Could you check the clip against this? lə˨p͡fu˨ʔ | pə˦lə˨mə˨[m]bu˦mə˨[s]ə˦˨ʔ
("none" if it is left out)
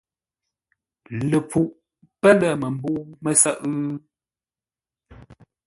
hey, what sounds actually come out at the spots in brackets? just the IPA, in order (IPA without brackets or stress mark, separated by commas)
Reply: m, s